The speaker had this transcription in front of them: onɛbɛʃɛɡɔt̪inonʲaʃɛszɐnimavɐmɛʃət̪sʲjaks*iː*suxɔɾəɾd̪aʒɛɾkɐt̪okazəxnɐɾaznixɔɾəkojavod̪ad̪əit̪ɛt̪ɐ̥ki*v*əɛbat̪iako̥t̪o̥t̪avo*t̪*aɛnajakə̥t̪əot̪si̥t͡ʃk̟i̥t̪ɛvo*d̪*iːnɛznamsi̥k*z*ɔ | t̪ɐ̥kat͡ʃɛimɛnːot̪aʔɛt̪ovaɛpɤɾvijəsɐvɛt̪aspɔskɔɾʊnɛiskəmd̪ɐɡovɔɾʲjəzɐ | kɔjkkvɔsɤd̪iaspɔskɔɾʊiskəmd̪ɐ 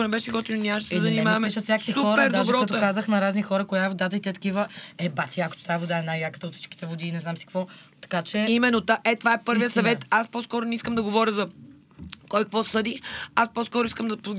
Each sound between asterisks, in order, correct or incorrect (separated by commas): incorrect, correct, incorrect, correct, incorrect